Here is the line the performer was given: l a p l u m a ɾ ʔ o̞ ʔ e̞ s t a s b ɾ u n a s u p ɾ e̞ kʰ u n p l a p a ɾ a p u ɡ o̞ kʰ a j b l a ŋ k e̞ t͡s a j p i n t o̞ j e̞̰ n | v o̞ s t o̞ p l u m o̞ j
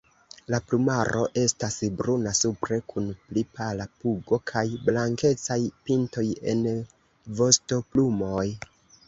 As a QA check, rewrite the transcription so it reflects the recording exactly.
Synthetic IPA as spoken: l a p l u m a ɾ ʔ o̞ ʔ e̞ s t a s b ɾ u n a s u p ɾ e̞ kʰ u n p l i p a l a p u ɡ o̞ kʰ a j b l a ŋ k e̞ t͡s a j p i n t o̞ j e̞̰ n | v o̞ s t o̞ p l u m o̞ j